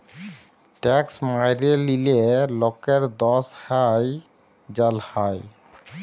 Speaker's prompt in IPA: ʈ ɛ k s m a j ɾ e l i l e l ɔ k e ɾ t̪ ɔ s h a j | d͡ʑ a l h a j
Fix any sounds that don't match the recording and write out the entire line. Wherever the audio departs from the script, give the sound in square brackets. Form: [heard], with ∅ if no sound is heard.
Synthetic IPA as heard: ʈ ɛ k s m a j ɾ e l i l e l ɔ k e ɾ [d̪] ɔ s h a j | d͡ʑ a l h a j